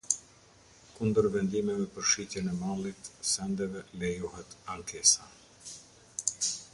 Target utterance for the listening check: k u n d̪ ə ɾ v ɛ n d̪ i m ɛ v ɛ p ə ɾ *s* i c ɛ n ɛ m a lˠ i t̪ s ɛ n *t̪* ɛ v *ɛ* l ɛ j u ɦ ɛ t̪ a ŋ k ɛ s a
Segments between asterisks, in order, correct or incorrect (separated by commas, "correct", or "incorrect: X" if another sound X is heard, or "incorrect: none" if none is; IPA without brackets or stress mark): incorrect: ʃ, incorrect: d̪, correct